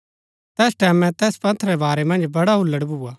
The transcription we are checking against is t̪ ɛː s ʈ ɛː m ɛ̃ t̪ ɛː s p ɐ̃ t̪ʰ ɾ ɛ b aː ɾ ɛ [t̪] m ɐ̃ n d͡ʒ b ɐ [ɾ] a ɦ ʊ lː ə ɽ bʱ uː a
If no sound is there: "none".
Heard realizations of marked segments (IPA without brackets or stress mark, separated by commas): none, ɽ